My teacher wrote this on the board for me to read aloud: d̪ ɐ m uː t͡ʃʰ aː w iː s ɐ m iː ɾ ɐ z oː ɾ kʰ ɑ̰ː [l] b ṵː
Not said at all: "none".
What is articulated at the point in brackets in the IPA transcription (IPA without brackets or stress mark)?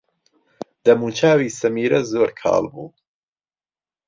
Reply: l